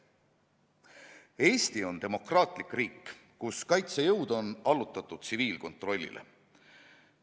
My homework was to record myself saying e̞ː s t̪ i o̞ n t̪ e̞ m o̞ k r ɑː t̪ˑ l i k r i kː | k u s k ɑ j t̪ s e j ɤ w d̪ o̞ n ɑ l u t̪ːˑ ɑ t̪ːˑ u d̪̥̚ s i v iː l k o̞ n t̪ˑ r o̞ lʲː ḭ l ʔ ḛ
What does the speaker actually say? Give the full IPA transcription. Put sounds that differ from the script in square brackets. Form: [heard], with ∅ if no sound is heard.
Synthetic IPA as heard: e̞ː s t̪ i o̞ n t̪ e̞ m o̞ k r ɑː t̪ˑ l i k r [iː] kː | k u s k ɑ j t̪ s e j ɤ w d̪ o̞ n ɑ l u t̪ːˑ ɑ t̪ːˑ u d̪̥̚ s i v iː l k o̞ n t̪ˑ r o̞ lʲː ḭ l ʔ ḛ